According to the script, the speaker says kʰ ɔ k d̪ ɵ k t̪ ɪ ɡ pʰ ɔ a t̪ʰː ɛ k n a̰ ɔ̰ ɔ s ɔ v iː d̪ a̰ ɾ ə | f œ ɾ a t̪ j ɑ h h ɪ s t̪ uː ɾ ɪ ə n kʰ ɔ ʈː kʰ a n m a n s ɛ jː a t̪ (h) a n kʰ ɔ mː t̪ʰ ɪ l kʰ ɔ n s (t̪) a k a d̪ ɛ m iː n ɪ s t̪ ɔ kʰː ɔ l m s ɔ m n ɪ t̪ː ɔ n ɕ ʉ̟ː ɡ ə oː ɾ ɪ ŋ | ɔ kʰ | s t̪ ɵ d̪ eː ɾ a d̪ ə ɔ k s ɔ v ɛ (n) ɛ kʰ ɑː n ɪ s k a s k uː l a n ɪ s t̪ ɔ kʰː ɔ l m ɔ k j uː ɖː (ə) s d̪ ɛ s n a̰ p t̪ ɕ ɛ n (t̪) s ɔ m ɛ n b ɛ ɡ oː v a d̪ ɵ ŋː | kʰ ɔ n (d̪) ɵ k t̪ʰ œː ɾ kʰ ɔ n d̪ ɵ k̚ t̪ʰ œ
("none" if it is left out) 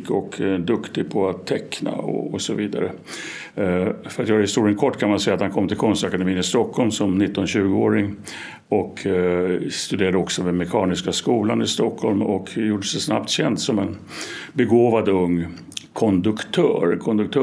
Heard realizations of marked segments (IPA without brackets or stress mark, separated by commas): h, t̪, m, ə, d̪, d̪